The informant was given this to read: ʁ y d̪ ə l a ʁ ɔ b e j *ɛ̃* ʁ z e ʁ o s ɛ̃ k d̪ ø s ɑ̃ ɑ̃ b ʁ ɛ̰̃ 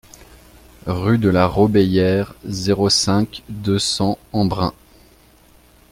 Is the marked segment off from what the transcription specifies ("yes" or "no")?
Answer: yes